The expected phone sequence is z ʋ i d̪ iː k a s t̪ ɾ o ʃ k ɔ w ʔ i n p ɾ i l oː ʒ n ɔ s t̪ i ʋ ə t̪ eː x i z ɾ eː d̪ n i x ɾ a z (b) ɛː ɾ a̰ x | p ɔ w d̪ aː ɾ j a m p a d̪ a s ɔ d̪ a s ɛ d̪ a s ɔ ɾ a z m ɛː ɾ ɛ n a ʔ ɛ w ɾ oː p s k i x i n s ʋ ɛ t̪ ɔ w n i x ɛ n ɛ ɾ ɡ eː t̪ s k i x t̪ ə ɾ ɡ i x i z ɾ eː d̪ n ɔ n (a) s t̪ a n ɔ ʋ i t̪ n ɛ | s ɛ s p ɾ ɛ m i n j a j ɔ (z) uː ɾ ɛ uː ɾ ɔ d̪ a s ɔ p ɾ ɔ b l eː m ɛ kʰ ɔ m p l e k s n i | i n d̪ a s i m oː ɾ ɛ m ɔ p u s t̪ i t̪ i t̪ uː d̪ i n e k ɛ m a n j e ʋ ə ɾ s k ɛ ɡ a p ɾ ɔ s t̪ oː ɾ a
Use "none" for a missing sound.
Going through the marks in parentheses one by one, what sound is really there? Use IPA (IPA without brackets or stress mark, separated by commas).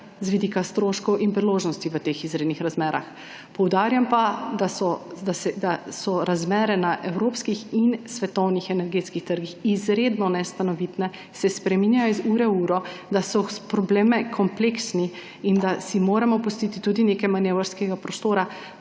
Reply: m, ɛ, z